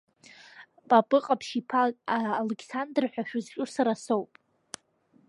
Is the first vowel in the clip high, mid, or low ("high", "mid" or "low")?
low